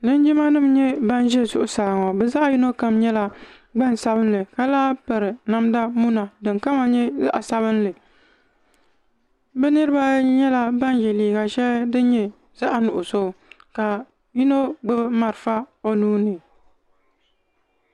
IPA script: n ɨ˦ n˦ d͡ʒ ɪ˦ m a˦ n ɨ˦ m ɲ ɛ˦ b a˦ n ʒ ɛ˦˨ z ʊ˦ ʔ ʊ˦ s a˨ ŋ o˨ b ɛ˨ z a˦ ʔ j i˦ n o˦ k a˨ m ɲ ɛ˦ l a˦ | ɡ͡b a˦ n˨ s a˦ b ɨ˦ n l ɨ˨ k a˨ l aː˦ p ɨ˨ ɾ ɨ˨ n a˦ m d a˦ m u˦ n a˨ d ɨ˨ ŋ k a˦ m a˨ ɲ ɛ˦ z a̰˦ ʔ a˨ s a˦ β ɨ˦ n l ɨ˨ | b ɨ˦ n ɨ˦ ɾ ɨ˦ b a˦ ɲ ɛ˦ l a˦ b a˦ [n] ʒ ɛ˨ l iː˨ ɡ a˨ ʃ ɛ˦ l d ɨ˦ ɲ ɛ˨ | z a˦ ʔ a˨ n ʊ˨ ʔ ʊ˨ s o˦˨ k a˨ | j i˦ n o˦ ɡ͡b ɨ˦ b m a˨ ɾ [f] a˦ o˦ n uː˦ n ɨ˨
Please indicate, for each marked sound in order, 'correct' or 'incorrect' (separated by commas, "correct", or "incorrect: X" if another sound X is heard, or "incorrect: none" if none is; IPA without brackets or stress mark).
correct, correct